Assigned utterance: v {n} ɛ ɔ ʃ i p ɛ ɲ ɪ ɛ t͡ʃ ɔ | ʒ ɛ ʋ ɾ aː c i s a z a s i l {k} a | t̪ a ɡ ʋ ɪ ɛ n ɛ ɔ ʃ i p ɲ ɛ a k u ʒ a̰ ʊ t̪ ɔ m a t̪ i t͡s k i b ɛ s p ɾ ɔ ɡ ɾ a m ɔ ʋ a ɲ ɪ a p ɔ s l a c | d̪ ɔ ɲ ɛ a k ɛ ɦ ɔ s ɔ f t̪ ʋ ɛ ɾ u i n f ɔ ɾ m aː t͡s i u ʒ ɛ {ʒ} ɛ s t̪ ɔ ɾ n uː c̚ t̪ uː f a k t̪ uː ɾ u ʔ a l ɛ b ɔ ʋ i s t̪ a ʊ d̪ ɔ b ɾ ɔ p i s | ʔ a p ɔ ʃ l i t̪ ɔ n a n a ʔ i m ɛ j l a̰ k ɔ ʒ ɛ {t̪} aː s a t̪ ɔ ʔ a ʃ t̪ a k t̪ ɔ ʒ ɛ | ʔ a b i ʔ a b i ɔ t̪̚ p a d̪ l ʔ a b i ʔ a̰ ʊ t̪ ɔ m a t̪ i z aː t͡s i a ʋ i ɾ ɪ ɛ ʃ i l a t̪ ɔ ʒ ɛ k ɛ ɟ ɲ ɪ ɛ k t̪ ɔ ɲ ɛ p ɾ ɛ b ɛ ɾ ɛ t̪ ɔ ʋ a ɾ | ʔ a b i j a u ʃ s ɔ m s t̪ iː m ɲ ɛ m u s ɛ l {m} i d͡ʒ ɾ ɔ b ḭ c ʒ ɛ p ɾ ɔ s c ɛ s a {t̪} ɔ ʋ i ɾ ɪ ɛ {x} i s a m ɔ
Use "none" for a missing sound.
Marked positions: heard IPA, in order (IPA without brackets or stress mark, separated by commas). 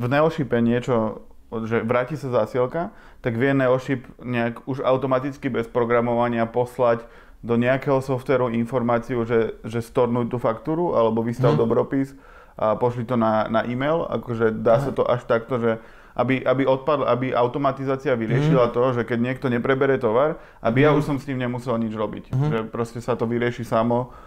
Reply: n, k, ʒ, d̪, ɲ, t̪, ʃ